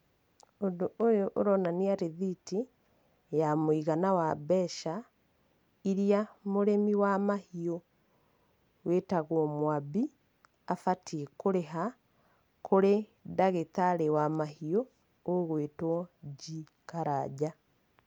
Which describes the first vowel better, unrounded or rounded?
rounded